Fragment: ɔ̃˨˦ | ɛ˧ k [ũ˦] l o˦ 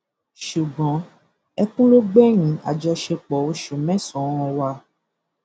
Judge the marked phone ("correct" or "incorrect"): correct